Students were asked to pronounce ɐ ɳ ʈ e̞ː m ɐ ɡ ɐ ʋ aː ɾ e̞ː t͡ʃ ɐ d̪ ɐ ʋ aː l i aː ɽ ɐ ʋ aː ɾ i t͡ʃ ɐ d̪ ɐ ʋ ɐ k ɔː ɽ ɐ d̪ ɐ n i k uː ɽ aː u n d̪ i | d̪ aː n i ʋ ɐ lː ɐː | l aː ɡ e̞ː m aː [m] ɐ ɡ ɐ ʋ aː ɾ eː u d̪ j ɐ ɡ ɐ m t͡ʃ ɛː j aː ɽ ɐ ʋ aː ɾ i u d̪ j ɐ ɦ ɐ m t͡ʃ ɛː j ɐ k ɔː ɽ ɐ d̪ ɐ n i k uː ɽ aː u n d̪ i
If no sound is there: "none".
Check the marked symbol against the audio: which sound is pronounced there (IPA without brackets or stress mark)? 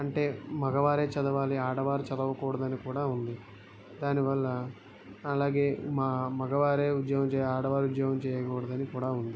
m